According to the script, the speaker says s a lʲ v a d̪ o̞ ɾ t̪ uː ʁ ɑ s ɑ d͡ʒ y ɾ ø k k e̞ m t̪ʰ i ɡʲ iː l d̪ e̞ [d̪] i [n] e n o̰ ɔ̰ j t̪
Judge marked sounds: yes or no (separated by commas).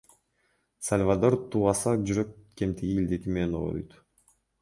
no, no